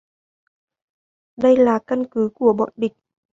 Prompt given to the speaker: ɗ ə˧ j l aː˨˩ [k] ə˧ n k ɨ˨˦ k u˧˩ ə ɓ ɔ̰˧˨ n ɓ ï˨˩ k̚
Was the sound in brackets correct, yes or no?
yes